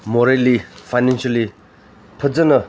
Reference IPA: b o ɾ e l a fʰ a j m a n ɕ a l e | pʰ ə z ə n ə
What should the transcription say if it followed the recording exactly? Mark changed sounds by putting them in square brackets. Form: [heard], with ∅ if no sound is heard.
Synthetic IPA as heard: [m] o ɾ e l [i] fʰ a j [n] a n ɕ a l [i] | pʰ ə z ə n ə